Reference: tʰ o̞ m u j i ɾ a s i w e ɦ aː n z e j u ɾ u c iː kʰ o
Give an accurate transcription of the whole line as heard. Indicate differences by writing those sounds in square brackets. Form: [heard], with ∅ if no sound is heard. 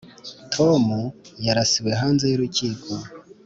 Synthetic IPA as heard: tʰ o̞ m u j [a] ɾ a s i w e ɦ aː n z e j u ɾ u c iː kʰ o